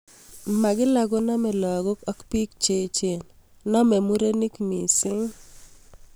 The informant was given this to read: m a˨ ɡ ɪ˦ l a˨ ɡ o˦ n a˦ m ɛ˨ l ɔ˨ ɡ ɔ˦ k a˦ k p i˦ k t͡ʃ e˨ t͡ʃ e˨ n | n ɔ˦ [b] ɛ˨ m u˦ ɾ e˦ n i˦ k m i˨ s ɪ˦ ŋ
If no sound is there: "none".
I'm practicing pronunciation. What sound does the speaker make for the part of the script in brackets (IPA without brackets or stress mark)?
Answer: m